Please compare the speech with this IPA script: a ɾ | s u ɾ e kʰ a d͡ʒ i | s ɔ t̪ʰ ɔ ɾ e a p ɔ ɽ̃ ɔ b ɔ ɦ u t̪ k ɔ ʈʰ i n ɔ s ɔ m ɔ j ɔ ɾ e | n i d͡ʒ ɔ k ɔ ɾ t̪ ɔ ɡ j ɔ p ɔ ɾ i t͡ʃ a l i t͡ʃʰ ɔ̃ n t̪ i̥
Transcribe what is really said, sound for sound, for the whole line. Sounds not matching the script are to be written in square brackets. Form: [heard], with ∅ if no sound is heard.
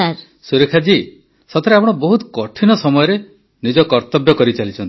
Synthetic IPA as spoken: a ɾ | s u ɾ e kʰ a d͡ʒ i | s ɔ t̪ʰ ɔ ɾ e a p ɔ ɽ̃ ɔ b ɔ ɦ u t̪ k ɔ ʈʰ i n ɔ s ɔ m ɔ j ɔ ɾ e | n i d͡ʒ ɔ k ɔ ɾ t̪ ɔ [b] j ɔ [k] ɔ ɾ i t͡ʃ a l i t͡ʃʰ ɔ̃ n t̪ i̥